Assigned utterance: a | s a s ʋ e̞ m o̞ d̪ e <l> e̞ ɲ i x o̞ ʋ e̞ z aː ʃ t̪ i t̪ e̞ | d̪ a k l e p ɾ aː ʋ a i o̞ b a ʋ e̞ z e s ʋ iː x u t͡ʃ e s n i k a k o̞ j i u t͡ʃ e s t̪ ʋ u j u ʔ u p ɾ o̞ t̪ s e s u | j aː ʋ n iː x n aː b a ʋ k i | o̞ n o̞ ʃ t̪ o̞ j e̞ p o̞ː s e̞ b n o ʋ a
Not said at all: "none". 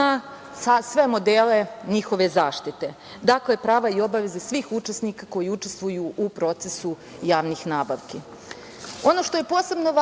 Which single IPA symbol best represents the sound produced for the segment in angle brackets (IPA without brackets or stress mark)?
l